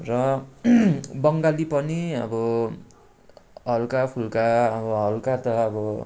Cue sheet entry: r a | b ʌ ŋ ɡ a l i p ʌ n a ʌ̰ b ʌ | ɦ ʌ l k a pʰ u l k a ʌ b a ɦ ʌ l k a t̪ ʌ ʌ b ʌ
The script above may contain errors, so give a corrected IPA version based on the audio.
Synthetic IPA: r ʌ | b ʌ ŋ ɡ a l i p ʌ n i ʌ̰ b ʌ | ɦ ʌ l k a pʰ u l k a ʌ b ʌ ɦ ʌ l k a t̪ ʌ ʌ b ʌ